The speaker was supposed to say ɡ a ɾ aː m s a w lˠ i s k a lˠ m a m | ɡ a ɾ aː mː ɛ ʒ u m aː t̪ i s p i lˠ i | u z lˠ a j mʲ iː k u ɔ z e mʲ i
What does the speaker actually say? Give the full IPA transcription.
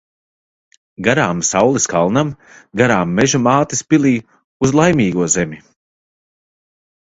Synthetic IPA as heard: ɡ a ɾ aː m s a w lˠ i s k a lˠ n a m | ɡ a ɾ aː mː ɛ ʒ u m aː t̪ i s p i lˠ iː | u z lˠ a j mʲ iː ɡ u ɔ z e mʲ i